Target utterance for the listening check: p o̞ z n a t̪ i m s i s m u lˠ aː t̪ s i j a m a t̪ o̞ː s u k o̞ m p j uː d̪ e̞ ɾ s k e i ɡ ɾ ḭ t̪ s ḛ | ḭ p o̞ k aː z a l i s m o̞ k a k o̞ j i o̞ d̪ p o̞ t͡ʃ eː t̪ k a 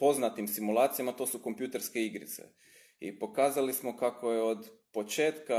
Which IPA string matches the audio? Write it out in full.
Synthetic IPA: p o̞ z n a t̪ i m s i m u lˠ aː t̪ s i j a m a t̪ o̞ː s u k o̞ m p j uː t̪ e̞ ɾ s k e i ɡ ɾ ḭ t̪ s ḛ | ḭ p o̞ k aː z a l i s m o̞ k a k o̞ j e o̞ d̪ p o̞ t͡ʃ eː t̪ k a